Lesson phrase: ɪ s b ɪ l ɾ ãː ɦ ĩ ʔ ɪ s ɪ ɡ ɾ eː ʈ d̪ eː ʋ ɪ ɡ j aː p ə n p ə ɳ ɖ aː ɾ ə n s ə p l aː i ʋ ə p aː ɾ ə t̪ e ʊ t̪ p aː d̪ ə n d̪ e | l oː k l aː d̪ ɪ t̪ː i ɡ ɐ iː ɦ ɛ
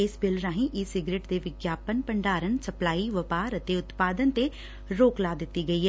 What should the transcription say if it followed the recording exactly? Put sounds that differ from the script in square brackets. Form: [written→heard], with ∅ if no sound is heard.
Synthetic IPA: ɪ s b ɪ l ɾ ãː ɦ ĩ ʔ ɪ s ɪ ɡ ɾ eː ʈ d̪ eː ʋ ɪ ɡ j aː p ə n p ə ɳ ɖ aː ɾ ə n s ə p l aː i ʋ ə p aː ɾ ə t̪ e ʊ t̪ p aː d̪ ə n [d̪→t̪] e | [l→ɾ] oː k l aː d̪ ɪ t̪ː i ɡ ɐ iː ɦ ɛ